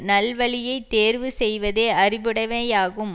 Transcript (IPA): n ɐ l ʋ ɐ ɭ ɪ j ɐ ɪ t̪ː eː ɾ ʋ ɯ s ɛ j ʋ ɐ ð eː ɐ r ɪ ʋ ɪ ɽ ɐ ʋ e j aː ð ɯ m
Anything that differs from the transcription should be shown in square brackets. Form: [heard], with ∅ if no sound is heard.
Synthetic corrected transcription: n ɐ l ʋ ɐ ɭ ɪ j ɐ ɪ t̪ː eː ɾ ʋ ɯ s ɛ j ʋ ɐ ð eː ɐ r ɪ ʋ ɪ ɽ ɐ ʋ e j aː [ɣ] ɯ m